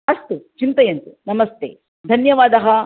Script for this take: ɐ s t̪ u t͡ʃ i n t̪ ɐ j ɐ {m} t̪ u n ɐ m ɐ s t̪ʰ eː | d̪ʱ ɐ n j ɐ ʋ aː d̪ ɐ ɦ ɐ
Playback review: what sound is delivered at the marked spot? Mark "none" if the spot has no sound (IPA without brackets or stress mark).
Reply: n